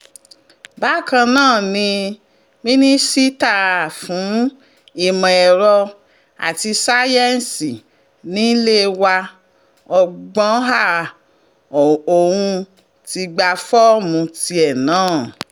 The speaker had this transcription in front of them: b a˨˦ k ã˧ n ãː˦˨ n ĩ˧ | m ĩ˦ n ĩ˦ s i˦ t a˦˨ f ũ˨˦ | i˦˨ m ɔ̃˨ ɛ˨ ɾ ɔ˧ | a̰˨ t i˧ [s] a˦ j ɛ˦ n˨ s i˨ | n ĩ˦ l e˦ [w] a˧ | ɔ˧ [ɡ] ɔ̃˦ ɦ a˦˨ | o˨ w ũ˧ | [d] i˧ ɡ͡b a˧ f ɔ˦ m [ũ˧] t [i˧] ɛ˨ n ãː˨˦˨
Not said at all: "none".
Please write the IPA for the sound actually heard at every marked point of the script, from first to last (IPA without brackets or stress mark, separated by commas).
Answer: s, w, ɡ͡b, t, ũ˧, i˧